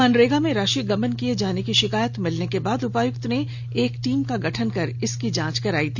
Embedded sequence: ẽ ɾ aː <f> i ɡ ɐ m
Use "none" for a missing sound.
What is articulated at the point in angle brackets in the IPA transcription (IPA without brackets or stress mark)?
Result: ʃ